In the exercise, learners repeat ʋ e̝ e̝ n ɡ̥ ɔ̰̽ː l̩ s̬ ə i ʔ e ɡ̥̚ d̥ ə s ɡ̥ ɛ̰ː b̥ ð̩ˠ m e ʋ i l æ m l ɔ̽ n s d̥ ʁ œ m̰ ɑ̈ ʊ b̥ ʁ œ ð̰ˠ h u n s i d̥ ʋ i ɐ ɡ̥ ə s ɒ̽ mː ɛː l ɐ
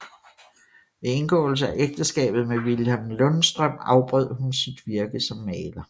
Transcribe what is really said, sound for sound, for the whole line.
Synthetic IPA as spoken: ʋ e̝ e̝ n ɡ̥ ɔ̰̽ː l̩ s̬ ə æ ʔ e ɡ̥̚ d̥ ə s ɡ̥ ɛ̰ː b̥ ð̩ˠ m e ʋ i l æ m l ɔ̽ n s d̥ ʁ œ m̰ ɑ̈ ʊ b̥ ʁ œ ð̰ˠ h u n s i d̥ ʋ i ɐ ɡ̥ ə s ɒ̽ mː ɛː l ɐ